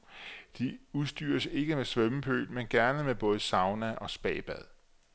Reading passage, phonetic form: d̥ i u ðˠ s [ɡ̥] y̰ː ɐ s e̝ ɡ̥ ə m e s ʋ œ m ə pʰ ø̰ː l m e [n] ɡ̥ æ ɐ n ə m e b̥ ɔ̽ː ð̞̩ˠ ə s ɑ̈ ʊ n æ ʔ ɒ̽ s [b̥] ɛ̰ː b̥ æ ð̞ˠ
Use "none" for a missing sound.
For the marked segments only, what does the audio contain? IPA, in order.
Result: d̥, n, b̥

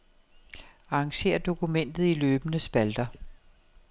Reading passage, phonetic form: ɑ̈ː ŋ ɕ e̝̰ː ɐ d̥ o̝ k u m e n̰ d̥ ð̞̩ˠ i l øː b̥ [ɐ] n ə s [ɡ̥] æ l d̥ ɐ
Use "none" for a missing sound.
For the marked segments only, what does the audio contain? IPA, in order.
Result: ə, b̥

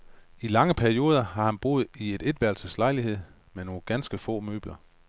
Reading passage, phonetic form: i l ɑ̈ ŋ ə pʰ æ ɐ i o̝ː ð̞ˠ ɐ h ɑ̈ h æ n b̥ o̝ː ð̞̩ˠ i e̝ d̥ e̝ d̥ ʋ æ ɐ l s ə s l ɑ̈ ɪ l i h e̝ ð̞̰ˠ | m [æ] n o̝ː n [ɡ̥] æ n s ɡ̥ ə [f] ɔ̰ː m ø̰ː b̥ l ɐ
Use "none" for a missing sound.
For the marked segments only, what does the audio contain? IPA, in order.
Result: e, ɡ̥, f

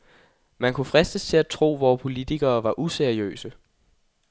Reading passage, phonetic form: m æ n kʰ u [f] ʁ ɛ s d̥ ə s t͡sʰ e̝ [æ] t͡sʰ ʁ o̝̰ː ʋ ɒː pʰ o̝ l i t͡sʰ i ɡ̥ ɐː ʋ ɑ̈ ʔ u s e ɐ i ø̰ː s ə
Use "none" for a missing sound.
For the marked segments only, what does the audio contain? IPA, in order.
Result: f, æ

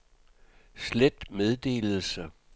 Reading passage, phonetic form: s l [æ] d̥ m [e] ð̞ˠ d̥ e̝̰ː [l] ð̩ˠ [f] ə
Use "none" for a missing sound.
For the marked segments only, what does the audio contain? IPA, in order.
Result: e, e, l, s

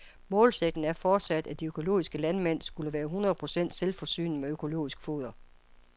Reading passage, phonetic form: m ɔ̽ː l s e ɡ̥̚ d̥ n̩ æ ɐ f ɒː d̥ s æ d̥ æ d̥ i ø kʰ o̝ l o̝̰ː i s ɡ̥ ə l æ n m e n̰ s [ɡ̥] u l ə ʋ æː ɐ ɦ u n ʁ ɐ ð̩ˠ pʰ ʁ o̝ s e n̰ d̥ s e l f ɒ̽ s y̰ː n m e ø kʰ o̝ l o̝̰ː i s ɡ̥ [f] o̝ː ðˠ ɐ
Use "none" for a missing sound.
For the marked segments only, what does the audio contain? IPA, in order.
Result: ɡ̥, f

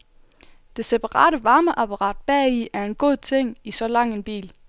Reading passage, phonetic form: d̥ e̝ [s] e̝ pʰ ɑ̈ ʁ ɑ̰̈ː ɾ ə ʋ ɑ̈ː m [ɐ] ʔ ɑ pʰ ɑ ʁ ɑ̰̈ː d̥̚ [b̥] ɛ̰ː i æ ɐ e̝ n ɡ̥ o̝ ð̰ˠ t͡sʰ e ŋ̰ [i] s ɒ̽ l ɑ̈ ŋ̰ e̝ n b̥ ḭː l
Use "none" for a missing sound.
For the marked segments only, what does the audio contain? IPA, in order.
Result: s, ə, b̥, i

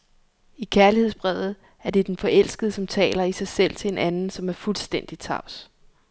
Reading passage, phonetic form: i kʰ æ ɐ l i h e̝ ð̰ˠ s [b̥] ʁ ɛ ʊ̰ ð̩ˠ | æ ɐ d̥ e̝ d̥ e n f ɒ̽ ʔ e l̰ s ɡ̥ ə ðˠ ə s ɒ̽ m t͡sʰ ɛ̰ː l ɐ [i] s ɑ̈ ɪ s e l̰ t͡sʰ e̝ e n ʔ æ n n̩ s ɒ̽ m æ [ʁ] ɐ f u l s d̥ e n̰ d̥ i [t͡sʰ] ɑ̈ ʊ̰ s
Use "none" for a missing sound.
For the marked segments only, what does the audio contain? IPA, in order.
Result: b̥, i, none, t͡sʰ

